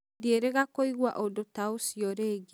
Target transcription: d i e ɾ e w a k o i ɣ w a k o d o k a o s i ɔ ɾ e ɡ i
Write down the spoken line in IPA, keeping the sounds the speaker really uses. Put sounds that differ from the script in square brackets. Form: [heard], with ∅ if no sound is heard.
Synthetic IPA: d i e ɾ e [ɣ] a k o i ɣ w a [ʔ] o d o [t] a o s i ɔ ɾ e ɡ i